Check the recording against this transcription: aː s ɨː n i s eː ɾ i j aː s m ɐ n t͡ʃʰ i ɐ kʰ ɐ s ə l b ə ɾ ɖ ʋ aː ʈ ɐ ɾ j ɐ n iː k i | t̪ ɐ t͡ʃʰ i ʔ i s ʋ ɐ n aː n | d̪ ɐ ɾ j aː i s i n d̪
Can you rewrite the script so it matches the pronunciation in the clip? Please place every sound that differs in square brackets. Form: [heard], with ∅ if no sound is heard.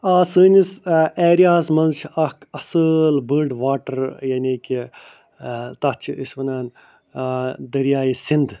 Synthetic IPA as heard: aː s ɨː n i s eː ɾ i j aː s m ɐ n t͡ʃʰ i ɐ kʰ ɐ s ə l b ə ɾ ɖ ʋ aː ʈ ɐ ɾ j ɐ n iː k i | t̪ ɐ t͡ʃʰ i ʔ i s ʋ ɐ n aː n | d̪ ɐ ɾ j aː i s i n d̪